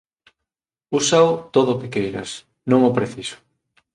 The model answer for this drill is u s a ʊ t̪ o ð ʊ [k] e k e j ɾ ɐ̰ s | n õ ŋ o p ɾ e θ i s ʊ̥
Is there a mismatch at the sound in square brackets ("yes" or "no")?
no